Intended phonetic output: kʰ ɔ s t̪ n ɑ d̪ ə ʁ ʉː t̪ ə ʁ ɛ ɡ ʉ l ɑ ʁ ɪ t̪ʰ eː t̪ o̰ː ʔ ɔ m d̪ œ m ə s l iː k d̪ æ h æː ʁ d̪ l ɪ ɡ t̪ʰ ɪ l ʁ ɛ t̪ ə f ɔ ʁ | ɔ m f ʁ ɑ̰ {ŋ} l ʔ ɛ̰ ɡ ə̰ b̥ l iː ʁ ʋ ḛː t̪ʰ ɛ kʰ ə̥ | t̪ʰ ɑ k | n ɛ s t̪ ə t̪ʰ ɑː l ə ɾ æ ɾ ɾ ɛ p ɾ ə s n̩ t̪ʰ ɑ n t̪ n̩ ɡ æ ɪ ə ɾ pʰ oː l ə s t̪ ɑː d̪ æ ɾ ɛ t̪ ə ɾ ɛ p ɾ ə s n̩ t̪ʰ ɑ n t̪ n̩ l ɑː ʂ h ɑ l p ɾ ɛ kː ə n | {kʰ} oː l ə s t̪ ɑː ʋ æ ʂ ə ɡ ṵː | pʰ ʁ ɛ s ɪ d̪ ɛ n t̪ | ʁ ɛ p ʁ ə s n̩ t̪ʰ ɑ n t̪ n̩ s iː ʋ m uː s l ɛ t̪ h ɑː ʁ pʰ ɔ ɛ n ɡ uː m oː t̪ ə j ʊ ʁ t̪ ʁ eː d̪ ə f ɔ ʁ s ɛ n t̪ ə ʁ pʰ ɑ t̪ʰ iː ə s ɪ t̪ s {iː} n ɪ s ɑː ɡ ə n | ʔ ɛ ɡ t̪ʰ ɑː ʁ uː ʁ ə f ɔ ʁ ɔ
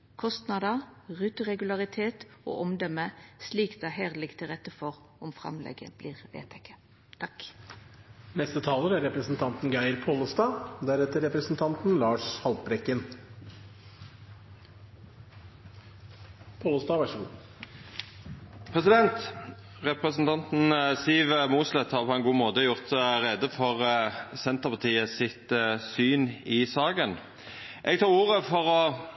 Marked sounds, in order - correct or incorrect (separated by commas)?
incorrect, incorrect, incorrect